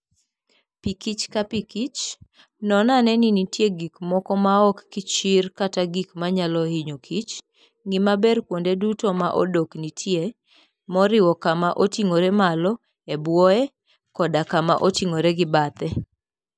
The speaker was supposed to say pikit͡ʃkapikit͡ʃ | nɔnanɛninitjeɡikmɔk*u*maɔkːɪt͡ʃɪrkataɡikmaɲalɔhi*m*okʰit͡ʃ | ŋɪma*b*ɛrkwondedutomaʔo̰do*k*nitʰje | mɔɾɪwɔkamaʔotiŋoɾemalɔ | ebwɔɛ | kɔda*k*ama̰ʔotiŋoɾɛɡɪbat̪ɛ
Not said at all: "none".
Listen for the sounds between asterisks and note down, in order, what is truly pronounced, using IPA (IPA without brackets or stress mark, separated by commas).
ɔ, ɲ, b, k, k